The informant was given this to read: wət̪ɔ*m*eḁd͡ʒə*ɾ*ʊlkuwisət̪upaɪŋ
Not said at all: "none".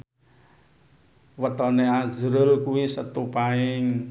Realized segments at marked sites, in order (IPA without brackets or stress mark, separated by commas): n, ɾ